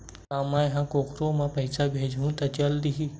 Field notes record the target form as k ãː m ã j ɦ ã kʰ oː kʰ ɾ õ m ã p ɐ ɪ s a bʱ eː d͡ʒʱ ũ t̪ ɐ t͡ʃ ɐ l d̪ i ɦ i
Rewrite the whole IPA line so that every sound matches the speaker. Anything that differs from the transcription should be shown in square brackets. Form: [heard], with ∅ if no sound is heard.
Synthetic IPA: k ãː m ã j ɦ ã [k] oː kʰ ɾ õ m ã p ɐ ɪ s a bʱ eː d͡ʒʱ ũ t̪ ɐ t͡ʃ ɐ l d̪ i ɦ i